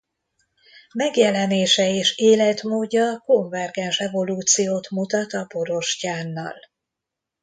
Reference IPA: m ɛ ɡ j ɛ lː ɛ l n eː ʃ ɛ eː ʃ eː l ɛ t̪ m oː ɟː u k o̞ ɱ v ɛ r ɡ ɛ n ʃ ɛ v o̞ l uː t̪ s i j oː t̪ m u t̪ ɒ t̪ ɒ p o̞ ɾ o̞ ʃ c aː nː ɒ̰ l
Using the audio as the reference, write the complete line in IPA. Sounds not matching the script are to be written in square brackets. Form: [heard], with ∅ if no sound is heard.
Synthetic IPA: m ɛ ɡ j ɛ [l] ɛ [∅] n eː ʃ ɛ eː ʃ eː l ɛ t̪ m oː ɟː [ɒ] k o̞ ɱ v ɛ r ɡ ɛ n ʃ ɛ v o̞ l uː t̪ s i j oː t̪ m u t̪ ɒ t̪ ɒ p o̞ ɾ o̞ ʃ c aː nː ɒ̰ l